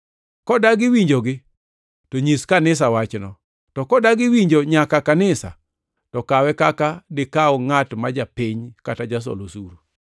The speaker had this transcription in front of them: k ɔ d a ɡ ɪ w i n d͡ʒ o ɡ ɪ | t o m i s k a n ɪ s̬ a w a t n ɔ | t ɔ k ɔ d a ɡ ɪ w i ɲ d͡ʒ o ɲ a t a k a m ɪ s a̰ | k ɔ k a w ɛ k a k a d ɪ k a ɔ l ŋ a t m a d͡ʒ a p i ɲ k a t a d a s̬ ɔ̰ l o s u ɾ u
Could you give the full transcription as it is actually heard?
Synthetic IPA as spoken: k ɔ d a ɡ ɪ w i ɲ d͡ʒ o ɡ ɪ | t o ɲ i s k a n ɪ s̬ a w a t͡ʃ n ɔ | t ɔ k ɔ d a ɡ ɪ w i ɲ d͡ʒ o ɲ a k a k a n ɪ s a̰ | t ɔ k a w ɛ k a k a d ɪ k a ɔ ŋ a t m a d͡ʒ a p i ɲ k a t a d͡ʒ a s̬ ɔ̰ l o s u ɾ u